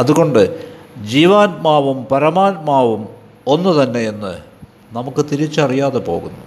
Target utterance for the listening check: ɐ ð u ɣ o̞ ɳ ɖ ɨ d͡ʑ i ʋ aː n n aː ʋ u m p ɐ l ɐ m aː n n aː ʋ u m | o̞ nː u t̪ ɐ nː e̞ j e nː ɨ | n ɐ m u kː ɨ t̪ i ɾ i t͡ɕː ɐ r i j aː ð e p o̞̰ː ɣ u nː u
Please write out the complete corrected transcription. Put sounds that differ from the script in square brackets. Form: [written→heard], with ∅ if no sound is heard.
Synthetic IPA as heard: ɐ ð u ɣ o̞ ɳ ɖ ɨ d͡ʑ [i→iː] ʋ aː n [n→m] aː ʋ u m p ɐ [l→ɾ] ɐ m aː n [n→m] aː ʋ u m | o̞ nː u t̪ ɐ nː e̞ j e nː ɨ | n ɐ m u kː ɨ t̪ i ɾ i t͡ɕː ɐ r i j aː ð e p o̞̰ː ɣ u nː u